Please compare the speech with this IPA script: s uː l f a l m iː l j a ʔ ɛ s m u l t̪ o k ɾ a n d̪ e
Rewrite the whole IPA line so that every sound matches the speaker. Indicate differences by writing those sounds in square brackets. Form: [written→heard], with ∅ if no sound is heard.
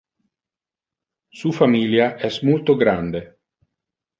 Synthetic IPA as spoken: s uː [l→∅] f a [l→∅] m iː l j a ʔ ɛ s m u l t̪ o [k→ɡ] ɾ a n d̪ e